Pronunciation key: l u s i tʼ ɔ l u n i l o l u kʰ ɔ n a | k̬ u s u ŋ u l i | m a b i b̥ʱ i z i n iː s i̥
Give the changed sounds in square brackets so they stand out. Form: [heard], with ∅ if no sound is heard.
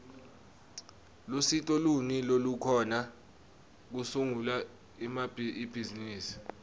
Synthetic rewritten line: l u s i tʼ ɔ l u n i l o l u kʰ ɔ n a | k̬ u s u ŋ u l [a] | m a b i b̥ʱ i z i n iː s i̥